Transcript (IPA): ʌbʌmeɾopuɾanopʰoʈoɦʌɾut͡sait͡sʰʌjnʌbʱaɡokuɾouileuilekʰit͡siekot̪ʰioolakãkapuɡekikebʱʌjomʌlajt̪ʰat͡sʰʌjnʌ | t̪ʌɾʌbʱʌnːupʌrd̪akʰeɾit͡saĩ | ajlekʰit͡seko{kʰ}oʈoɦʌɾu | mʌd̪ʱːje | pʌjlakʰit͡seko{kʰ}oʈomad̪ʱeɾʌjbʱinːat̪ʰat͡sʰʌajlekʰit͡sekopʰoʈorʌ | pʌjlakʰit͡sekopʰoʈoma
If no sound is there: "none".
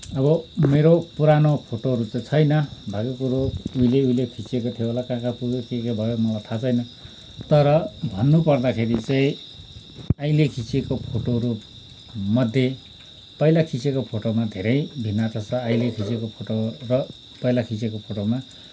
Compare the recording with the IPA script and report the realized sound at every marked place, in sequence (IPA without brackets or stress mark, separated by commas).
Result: pʰ, pʰ